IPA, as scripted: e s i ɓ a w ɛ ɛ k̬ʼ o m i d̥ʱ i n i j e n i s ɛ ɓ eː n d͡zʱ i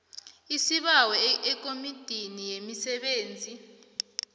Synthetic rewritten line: i s i ɓ a w ɛ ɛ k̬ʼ o m i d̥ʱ i n i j e m i s ɛ ɓ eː n d͡zʱ i